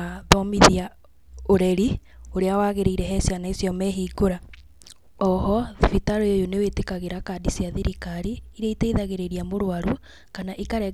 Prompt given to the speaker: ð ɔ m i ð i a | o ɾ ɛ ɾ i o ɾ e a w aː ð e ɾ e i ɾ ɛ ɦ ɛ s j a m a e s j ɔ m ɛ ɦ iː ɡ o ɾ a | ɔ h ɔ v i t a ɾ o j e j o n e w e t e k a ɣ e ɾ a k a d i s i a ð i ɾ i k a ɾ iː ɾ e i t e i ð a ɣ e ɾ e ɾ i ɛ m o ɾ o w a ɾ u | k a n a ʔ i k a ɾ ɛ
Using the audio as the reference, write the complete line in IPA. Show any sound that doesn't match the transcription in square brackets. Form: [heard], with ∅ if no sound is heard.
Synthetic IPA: ð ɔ m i ð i a | o ɾ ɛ ɾ i o ɾ e a w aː [ɣ] e ɾ e i ɾ ɛ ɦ ɛ s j a [n] a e s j ɔ m ɛ ɦ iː ɡ o ɾ a | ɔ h ɔ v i t a ɾ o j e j o n e w e t e k a ɣ e ɾ a k a d i s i a ð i ɾ i k a ɾ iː ɾ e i t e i ð a ɣ e ɾ e ɾ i [a] m o ɾ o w a ɾ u | k a n a ʔ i k a ɾ ɛ